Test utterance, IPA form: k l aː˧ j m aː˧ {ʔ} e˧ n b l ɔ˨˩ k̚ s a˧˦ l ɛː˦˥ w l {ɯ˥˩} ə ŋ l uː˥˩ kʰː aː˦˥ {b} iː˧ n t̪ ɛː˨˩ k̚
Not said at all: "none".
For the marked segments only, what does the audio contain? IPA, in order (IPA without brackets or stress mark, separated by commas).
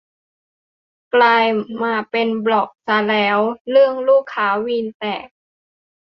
p, ɯ˥˩, w